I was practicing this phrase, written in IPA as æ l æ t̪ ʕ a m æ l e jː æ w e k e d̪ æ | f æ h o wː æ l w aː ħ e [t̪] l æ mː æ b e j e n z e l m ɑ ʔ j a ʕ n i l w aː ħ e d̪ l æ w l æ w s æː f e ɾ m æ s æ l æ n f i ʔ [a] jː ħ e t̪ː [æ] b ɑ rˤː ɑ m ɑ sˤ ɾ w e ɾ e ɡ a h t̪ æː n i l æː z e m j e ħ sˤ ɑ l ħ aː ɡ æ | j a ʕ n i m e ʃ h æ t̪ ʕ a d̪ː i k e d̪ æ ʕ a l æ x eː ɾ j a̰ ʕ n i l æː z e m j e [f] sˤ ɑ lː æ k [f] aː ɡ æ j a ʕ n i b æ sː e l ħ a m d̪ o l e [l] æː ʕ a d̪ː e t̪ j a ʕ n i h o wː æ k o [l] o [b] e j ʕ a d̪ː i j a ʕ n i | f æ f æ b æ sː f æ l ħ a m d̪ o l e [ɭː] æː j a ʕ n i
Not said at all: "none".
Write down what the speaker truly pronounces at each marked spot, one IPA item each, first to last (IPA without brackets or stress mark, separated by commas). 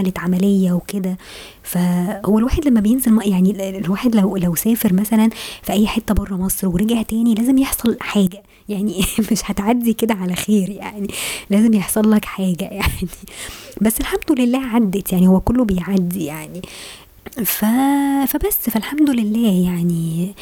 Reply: d̪, æ, æ, ħ, ħ, lː, lː, b, lː